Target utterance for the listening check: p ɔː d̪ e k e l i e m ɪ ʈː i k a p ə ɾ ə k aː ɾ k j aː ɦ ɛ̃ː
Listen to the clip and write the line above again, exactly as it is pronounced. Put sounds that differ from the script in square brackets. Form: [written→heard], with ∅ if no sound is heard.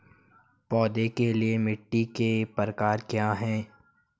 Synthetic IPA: p ɔː d̪ e k e l i e m ɪ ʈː i k [a→e] p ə ɾ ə k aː ɾ k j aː ɦ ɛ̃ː